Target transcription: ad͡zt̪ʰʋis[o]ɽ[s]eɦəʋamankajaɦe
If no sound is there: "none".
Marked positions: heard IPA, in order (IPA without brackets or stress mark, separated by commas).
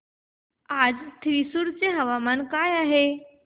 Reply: u, t͡s